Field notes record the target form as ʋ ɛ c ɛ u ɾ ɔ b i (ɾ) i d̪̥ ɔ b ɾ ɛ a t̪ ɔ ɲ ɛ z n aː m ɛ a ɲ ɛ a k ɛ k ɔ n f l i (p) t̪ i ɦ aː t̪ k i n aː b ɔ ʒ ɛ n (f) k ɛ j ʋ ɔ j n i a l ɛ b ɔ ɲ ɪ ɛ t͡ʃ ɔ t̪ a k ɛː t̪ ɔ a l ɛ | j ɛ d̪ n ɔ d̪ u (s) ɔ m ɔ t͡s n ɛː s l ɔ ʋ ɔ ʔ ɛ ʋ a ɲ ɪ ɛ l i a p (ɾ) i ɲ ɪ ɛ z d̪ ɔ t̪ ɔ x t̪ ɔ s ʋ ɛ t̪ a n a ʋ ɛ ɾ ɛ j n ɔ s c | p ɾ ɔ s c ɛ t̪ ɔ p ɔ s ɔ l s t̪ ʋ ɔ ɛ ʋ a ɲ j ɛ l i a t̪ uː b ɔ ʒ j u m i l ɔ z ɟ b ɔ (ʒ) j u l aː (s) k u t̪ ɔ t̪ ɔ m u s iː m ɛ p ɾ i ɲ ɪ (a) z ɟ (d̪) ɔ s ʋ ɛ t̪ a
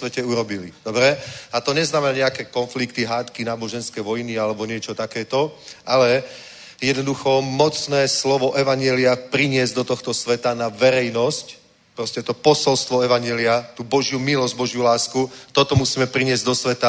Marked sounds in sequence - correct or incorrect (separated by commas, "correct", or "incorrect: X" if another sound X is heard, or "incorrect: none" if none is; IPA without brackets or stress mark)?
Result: incorrect: l, incorrect: k, incorrect: s, incorrect: x, correct, correct, correct, incorrect: ɛ, correct